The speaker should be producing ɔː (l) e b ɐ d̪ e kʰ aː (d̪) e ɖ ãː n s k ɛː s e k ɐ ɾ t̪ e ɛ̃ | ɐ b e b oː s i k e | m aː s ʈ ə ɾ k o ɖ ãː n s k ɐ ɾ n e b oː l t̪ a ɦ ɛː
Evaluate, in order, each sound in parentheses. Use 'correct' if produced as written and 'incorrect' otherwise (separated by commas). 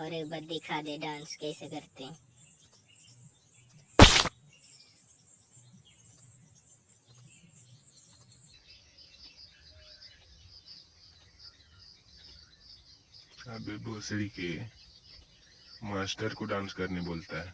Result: incorrect, correct